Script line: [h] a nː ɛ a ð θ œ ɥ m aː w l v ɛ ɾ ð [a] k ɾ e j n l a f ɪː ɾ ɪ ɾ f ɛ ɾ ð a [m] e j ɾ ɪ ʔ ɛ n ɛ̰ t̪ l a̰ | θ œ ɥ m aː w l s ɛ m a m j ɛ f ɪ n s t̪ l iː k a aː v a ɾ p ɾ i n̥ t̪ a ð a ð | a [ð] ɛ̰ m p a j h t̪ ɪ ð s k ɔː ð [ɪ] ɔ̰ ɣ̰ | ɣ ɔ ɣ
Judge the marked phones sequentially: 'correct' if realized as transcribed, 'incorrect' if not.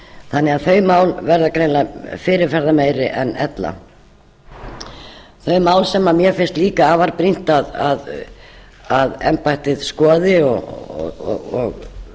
incorrect, correct, correct, correct, correct

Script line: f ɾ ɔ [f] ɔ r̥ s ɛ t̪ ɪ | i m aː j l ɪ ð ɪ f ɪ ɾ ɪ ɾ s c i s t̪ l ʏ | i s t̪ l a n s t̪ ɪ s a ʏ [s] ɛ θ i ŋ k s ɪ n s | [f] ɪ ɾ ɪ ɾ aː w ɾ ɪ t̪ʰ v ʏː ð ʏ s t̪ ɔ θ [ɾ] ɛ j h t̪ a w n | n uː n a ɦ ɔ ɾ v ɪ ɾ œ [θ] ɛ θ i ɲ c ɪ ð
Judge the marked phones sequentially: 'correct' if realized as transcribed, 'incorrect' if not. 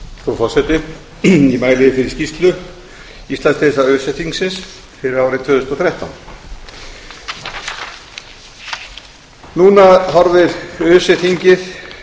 correct, correct, correct, correct, incorrect

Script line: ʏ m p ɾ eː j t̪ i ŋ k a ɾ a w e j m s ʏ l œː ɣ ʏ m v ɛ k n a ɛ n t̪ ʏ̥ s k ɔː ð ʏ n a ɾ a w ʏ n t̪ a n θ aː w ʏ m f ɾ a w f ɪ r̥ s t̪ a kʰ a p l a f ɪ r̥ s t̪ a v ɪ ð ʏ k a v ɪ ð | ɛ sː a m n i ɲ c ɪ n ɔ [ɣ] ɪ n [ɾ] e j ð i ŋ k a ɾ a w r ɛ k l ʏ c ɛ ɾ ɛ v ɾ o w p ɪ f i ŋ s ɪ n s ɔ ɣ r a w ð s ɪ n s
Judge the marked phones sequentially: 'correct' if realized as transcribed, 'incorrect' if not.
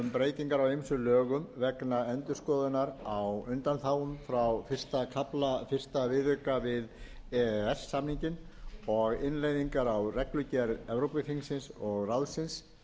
correct, incorrect

